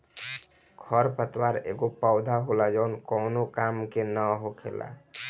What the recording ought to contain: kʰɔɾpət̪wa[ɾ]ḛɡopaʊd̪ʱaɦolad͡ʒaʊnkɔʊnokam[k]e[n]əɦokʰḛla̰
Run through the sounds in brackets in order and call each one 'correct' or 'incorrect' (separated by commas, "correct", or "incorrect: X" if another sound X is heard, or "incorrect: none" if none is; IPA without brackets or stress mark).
correct, correct, correct